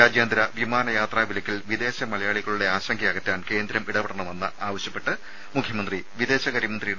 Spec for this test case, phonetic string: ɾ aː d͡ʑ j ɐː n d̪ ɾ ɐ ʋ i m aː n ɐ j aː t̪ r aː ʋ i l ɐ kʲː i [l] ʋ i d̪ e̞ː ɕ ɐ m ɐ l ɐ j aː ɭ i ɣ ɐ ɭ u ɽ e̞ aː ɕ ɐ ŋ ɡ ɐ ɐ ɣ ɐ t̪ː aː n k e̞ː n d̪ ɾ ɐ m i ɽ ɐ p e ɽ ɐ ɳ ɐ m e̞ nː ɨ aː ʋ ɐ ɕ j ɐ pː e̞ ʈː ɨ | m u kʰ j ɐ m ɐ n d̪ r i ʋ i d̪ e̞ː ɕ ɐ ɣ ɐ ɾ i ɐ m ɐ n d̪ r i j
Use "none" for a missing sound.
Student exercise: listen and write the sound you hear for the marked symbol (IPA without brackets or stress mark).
l